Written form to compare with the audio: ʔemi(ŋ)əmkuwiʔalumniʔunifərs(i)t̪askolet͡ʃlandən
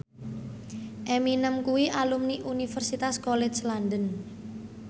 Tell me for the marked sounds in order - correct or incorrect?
incorrect: n, correct

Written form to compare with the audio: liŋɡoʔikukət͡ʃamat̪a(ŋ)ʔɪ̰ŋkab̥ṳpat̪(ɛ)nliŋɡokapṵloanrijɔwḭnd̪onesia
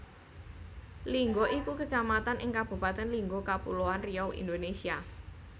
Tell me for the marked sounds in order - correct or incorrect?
incorrect: n, correct

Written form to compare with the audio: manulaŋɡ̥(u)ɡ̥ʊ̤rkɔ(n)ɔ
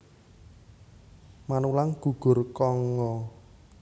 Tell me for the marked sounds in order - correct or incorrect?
correct, incorrect: ŋ

